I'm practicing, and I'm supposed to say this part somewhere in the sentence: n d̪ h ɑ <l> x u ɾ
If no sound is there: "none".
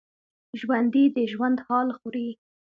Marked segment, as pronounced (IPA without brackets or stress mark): l